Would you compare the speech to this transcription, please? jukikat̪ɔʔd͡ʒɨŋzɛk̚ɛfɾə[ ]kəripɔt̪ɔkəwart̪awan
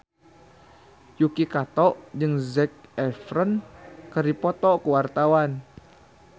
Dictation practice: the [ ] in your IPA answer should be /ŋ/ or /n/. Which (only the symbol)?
n